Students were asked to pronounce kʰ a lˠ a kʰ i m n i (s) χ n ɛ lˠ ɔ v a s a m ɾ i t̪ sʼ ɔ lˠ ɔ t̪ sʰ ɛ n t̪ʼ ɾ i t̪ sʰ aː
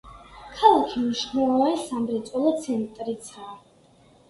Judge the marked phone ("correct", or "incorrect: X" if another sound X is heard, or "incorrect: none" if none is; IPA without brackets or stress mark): incorrect: ʃ